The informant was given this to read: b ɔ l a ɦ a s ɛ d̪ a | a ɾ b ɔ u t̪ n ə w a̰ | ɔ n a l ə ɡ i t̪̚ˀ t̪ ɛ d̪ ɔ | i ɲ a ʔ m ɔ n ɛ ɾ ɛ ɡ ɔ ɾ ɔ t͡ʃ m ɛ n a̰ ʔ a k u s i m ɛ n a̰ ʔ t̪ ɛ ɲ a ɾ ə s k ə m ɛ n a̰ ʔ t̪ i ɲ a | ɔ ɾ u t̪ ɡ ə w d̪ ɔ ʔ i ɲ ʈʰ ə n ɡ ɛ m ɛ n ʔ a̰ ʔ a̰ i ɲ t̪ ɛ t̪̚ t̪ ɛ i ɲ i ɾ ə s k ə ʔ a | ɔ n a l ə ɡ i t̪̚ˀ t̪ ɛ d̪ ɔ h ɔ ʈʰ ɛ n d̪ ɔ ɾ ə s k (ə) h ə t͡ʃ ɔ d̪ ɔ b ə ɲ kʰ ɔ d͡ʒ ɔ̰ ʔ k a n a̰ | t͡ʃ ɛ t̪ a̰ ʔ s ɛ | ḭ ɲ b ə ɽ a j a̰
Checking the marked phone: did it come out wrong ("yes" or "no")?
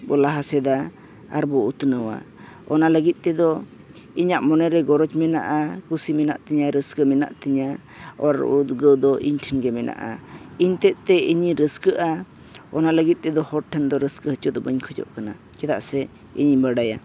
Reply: no